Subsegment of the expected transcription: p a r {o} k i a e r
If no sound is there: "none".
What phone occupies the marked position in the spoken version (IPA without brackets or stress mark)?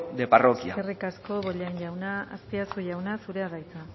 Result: o